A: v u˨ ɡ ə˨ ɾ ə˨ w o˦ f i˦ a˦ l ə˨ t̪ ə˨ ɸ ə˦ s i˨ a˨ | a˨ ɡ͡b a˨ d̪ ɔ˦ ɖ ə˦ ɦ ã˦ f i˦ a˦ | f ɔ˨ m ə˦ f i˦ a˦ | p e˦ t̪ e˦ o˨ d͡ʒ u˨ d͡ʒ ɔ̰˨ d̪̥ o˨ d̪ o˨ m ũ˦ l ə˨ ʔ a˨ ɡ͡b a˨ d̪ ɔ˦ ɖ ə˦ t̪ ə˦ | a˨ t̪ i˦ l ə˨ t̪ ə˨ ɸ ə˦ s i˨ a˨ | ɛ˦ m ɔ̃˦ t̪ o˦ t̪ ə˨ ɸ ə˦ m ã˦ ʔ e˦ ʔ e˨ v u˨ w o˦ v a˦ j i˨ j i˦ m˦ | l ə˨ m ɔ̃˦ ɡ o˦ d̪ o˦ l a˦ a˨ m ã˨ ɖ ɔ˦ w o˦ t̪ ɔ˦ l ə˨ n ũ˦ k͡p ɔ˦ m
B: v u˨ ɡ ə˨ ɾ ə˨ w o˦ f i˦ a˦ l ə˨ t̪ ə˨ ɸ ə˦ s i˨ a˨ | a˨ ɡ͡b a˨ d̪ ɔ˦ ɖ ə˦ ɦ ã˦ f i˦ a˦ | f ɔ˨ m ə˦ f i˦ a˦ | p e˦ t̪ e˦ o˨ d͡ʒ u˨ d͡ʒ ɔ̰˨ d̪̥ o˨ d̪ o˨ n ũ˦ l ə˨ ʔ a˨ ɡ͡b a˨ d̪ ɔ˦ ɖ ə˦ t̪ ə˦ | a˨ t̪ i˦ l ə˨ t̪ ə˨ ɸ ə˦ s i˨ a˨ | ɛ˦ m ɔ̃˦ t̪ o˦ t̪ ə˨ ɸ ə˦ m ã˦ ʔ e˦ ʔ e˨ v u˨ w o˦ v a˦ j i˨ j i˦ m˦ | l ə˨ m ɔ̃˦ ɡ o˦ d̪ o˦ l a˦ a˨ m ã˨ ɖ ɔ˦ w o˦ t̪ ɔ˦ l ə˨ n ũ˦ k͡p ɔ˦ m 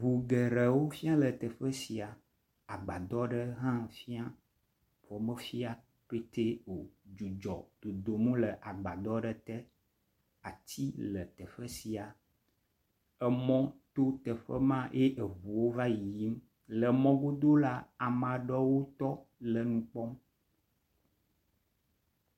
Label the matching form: A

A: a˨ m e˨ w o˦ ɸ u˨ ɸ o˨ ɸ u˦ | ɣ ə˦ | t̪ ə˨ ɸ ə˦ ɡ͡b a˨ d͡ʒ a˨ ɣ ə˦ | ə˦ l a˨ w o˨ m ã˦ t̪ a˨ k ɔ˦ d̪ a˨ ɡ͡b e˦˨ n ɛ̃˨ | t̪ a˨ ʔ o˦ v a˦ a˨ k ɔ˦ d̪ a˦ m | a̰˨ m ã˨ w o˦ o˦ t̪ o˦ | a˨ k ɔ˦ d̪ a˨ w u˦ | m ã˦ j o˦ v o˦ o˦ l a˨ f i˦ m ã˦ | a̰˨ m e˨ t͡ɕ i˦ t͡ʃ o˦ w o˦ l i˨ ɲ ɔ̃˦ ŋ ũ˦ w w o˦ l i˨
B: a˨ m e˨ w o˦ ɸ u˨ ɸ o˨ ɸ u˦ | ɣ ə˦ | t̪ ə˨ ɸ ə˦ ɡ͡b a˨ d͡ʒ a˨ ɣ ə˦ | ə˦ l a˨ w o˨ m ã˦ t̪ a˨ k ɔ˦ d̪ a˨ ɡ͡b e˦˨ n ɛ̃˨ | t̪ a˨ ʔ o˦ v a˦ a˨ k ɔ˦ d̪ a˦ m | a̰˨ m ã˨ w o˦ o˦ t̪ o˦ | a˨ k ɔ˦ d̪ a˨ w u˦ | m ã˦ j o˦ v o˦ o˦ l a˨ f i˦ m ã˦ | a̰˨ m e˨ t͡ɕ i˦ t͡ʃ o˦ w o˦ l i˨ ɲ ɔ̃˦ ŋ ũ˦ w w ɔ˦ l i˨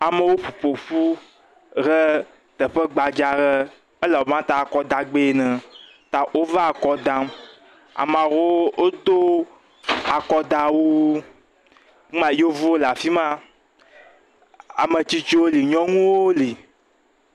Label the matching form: A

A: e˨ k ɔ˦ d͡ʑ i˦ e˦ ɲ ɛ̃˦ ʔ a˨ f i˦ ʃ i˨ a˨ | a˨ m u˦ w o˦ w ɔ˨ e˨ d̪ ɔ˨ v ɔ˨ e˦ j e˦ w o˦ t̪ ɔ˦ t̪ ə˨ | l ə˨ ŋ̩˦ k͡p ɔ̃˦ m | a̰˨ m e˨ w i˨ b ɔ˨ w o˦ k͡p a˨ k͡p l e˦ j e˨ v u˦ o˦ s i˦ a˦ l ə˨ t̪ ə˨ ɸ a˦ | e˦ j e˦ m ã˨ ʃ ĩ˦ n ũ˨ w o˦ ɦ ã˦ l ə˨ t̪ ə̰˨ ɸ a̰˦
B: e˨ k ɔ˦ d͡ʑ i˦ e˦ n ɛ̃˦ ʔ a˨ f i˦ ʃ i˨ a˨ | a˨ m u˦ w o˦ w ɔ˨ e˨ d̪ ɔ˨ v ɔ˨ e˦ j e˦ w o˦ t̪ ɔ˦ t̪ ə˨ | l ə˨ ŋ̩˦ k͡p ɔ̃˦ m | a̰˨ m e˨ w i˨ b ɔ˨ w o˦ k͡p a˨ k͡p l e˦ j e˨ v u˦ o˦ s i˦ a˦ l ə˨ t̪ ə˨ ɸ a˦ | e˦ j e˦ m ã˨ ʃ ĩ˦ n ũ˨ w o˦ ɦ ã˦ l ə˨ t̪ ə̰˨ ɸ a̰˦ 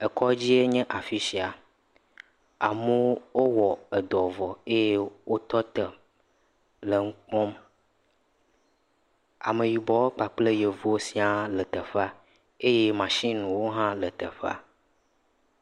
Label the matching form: A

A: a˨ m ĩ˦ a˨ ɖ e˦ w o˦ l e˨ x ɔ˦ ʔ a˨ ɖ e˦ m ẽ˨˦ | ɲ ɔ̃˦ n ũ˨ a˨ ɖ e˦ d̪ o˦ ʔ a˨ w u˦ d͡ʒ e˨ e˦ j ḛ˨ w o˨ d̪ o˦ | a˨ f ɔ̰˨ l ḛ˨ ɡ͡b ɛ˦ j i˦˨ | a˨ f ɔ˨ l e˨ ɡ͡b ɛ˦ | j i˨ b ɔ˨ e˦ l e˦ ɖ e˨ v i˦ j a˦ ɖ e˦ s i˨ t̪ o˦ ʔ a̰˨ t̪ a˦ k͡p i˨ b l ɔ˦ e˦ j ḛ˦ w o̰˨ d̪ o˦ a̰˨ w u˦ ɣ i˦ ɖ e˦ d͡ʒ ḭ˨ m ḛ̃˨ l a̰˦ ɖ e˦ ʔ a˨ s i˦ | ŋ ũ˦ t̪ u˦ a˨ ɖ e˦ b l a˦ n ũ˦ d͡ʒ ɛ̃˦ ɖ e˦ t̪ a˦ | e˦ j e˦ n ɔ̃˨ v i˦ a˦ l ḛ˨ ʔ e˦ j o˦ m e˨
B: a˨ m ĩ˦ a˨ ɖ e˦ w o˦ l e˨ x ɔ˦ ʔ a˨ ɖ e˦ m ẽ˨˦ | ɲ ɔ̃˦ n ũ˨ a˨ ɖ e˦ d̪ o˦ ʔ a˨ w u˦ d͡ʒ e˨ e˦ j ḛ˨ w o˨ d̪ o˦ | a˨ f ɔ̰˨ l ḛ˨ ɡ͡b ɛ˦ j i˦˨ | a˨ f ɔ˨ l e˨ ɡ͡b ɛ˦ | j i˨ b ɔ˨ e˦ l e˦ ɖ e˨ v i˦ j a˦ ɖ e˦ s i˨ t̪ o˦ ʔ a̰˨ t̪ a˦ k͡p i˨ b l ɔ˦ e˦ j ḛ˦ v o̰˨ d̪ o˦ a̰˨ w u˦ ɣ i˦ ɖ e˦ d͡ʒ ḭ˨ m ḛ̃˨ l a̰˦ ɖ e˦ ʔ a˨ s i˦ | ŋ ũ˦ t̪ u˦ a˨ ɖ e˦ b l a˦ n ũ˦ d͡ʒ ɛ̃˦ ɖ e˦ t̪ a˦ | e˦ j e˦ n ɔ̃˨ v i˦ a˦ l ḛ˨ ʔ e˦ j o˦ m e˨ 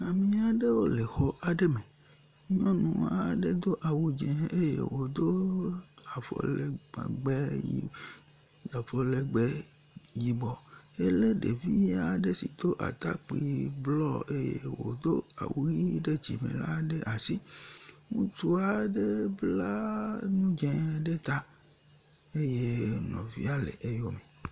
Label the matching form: A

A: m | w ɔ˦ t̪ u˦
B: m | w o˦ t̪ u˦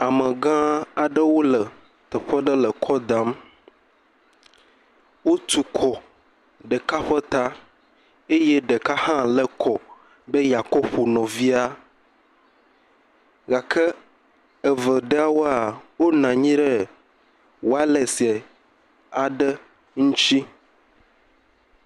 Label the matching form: B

